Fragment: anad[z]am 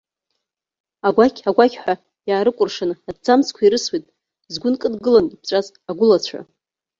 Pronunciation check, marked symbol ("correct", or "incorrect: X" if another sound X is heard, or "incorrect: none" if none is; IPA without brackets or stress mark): incorrect: d͡z